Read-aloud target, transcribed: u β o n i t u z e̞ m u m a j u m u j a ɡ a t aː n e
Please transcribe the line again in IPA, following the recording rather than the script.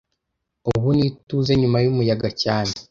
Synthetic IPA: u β u n i t u z e̞ ɲ u m a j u m u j a ɡ a c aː n e